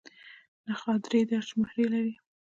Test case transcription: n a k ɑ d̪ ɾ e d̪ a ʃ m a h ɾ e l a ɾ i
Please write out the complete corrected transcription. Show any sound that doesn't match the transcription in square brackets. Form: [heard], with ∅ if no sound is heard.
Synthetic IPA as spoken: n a [x] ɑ d̪ ɾ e d̪ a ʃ m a h ɾ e l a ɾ i